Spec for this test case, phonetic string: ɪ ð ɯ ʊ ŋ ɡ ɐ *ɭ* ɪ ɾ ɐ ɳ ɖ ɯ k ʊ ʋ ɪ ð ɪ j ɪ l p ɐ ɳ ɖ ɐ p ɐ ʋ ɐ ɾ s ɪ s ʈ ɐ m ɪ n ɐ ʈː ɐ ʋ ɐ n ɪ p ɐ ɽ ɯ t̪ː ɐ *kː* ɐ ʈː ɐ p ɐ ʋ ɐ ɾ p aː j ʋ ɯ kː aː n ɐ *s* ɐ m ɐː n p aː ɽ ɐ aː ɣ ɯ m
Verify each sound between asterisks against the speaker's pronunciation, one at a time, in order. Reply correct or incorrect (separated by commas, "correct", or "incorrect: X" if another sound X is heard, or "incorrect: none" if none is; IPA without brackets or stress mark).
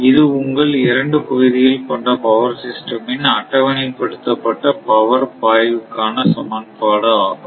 correct, incorrect: pː, correct